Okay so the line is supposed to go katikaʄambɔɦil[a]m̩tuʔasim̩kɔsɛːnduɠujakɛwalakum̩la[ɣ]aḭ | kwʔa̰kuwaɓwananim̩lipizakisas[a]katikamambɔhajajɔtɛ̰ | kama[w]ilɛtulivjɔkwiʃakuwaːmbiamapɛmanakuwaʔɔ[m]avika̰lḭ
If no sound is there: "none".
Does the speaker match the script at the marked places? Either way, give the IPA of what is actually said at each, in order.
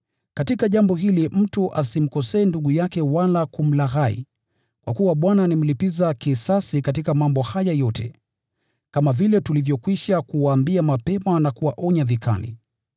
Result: i, ɣ, i, v, ɲ

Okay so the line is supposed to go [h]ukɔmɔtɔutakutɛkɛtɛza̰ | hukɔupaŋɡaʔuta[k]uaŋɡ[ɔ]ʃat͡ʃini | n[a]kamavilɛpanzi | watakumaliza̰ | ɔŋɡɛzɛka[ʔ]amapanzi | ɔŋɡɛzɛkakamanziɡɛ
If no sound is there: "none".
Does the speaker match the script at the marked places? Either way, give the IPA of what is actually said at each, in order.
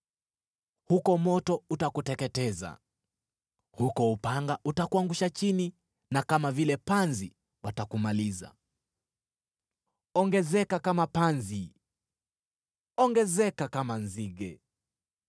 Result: h, k, u, a, k

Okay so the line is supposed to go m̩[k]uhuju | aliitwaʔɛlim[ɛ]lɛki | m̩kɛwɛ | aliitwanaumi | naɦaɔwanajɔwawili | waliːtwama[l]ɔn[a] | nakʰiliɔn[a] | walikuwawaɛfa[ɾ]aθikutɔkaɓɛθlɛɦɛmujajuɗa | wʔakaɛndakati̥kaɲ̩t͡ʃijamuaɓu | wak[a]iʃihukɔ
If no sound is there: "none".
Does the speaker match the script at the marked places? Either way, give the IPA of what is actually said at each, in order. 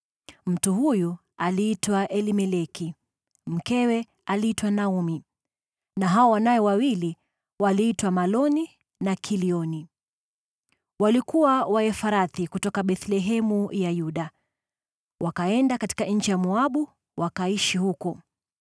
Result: t, ɛ, l, i, i, ɾ, a

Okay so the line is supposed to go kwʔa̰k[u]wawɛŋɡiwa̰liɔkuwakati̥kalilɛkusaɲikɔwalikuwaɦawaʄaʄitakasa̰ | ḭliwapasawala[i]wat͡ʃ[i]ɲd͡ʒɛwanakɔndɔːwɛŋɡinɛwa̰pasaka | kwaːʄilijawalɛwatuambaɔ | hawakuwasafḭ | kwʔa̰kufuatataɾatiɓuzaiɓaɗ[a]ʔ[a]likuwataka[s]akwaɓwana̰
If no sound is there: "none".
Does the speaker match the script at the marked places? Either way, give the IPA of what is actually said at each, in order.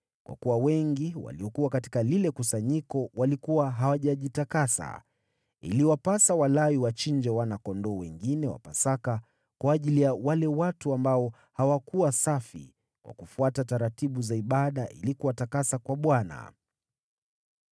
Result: u, i, i, a, i, s

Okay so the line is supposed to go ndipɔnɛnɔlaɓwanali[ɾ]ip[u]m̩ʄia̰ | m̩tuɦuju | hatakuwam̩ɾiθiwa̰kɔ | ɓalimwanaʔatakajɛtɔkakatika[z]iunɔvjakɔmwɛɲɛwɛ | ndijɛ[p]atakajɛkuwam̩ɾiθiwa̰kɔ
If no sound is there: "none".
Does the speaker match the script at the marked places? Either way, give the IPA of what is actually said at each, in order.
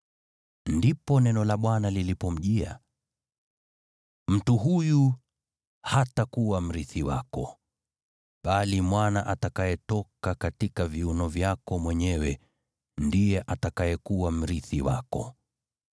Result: l, ɔ, v, ʔ

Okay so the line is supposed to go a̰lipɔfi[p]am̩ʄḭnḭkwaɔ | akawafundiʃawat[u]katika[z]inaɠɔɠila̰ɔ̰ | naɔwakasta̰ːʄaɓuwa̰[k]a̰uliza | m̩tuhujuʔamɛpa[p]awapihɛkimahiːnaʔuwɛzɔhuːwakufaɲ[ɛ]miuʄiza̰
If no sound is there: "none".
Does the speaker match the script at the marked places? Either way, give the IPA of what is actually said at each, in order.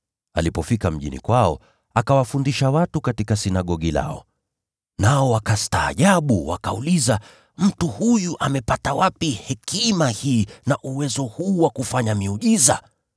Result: k, u, s, k, t, a

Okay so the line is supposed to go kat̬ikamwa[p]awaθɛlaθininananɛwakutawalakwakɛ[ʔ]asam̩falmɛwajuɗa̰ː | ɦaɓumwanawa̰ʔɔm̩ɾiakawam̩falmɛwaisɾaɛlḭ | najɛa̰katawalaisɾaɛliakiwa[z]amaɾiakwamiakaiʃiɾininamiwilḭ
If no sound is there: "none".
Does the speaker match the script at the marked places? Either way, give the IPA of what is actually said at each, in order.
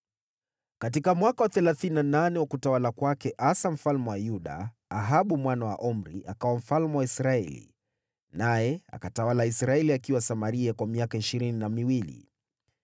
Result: k, ʔ, s

